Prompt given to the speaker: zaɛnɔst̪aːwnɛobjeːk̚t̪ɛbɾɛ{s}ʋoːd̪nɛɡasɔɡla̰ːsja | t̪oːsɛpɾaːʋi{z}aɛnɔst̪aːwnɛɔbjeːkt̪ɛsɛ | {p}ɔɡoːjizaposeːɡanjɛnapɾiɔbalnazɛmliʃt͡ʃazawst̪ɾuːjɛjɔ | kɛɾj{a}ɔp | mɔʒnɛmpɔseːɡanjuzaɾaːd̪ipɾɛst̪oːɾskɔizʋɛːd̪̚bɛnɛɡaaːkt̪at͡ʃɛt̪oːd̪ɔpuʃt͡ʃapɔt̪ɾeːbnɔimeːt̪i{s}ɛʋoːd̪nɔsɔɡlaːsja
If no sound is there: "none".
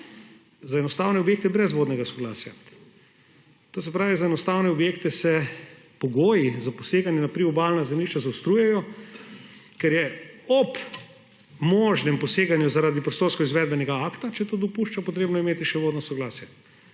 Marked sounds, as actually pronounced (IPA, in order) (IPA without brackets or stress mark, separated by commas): z, z, p, ɛ, ʃ